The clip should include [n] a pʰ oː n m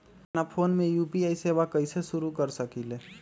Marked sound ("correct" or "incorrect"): correct